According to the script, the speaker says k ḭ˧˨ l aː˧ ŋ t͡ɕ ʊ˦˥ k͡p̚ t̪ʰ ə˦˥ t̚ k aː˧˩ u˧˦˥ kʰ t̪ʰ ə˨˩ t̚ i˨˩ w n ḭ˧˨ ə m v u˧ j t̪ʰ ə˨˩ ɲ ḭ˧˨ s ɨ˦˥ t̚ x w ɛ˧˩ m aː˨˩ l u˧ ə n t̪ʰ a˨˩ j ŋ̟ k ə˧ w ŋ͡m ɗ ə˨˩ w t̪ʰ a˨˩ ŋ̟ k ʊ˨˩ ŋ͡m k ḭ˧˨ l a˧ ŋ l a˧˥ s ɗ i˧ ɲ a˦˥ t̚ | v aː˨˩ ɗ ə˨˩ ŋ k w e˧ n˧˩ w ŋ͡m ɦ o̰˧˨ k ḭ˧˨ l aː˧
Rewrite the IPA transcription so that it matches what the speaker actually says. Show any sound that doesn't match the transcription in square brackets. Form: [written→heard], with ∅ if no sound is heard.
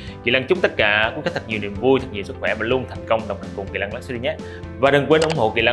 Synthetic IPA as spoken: k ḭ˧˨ l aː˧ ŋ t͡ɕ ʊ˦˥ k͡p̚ [t̪ʰ→t̪] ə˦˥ t̚ k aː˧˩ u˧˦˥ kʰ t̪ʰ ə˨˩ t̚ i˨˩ w n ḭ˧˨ ə m v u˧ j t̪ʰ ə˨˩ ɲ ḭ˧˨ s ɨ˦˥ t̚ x w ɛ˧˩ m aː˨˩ l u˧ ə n t̪ʰ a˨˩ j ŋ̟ k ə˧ w ŋ͡m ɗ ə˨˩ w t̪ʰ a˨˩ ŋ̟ k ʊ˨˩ ŋ͡m k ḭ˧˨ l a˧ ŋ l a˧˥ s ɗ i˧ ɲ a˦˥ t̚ | v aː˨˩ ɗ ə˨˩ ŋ k w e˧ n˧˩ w ŋ͡m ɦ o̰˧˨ k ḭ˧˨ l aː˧